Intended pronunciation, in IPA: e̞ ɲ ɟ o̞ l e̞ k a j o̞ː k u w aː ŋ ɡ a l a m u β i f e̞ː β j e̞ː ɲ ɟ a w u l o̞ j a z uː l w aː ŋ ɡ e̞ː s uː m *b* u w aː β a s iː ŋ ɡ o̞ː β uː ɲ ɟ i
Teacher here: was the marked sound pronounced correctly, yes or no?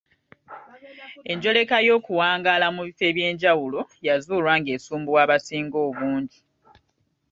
yes